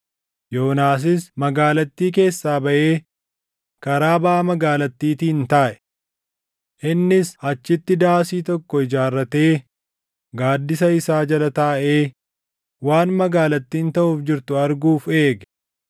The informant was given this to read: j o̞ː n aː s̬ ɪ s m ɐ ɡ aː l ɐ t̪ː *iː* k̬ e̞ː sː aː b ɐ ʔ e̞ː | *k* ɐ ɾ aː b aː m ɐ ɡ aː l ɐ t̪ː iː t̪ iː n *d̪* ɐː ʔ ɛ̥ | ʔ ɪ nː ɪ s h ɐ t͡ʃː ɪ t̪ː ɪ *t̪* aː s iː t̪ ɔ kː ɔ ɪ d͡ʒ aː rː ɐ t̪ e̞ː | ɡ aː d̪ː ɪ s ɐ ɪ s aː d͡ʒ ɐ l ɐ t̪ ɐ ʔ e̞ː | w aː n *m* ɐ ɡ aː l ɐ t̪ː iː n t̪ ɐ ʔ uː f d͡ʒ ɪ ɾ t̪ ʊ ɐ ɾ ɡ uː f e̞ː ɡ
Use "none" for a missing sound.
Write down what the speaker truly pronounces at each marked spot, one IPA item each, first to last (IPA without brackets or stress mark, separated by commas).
iː, k, t̪, d̪, m